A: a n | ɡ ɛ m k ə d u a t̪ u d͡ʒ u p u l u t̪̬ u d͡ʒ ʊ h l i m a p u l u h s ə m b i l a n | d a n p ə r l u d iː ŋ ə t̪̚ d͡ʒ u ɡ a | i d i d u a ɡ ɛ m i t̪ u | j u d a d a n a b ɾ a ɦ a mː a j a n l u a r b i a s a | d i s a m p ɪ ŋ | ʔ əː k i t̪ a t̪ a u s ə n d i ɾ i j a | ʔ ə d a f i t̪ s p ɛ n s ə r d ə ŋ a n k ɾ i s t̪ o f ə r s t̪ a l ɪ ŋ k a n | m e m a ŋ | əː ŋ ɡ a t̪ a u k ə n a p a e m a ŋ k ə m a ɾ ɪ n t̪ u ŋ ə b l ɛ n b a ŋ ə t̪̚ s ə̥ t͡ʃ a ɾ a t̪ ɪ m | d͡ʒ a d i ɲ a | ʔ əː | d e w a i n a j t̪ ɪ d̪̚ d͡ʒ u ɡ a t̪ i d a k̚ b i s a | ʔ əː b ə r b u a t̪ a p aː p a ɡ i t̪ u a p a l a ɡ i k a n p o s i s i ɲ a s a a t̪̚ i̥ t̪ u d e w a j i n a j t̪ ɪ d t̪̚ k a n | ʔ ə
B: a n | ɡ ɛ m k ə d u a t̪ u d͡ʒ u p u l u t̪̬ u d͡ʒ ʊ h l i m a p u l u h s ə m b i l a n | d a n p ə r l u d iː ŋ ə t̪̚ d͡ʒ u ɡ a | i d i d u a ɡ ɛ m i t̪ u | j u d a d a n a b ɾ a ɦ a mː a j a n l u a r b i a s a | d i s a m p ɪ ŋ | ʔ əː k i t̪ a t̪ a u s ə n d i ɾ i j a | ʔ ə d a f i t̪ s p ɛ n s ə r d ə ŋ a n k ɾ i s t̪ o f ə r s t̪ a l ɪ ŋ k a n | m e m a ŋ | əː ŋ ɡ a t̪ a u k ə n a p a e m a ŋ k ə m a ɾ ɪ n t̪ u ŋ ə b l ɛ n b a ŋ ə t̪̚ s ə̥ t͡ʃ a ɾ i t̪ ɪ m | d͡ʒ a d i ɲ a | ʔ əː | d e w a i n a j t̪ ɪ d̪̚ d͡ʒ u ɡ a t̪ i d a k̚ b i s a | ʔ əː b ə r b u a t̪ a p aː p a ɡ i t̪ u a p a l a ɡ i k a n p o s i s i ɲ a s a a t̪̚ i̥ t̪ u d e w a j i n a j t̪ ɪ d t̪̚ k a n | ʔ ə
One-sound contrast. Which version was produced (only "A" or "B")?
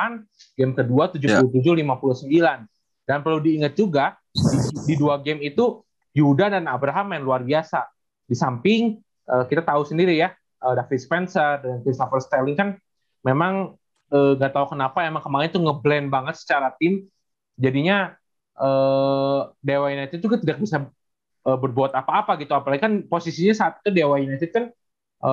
A